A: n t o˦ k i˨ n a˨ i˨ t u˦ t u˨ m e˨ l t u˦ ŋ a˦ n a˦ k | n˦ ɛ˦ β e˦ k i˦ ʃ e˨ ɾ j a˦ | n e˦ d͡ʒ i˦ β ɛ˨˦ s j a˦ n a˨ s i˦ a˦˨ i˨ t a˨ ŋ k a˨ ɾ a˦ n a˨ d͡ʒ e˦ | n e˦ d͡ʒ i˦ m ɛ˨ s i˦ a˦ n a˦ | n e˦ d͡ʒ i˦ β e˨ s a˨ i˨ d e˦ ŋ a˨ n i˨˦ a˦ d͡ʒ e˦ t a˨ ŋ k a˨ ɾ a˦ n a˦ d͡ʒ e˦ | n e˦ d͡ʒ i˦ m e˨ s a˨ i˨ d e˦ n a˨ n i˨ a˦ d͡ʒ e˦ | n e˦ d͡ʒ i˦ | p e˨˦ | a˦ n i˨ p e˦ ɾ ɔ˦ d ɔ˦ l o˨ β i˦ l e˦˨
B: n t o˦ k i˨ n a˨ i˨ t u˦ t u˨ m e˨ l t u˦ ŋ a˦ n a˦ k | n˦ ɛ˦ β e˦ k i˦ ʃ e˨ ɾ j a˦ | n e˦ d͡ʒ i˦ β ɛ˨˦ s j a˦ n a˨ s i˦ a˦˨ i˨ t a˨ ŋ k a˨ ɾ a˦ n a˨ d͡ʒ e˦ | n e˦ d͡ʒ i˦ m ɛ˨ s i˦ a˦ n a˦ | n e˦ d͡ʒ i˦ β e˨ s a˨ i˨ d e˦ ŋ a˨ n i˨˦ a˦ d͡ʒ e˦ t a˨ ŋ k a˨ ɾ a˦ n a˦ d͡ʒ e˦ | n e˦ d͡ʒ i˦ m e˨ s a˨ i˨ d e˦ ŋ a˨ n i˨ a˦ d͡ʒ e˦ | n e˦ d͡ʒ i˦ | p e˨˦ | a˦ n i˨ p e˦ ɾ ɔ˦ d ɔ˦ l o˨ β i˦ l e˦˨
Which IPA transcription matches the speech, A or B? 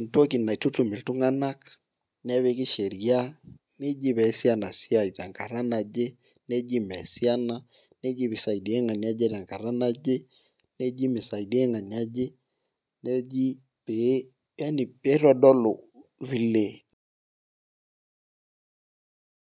B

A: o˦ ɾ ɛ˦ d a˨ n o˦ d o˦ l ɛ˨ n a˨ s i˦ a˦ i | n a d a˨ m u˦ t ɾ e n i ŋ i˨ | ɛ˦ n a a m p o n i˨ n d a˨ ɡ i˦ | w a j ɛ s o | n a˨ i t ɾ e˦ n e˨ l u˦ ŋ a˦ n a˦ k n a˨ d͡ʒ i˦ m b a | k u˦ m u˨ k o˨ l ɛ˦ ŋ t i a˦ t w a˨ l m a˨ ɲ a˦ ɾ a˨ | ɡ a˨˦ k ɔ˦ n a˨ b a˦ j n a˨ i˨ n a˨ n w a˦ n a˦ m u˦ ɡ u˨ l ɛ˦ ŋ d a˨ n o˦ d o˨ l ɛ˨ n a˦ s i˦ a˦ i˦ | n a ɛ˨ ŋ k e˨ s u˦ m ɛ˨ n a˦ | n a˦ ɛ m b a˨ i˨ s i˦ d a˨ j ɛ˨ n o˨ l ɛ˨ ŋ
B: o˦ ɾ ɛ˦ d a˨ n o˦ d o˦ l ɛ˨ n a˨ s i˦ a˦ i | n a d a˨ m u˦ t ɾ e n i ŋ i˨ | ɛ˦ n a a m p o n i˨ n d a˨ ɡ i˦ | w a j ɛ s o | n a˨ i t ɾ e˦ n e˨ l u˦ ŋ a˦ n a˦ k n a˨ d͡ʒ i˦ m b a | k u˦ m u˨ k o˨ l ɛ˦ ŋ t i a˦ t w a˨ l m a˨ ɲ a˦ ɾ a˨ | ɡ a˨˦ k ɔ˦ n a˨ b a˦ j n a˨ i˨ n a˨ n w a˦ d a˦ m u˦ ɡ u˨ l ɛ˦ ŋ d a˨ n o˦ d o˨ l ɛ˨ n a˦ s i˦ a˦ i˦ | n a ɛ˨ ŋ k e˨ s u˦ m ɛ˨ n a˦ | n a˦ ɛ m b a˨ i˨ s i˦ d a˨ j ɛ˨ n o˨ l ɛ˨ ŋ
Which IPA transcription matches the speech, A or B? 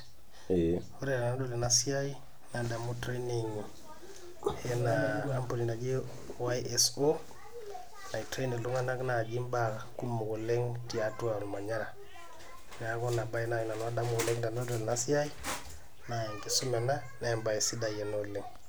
B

